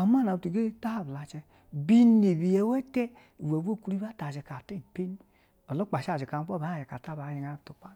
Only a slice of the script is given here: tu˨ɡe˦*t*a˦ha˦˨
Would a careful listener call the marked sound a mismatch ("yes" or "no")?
no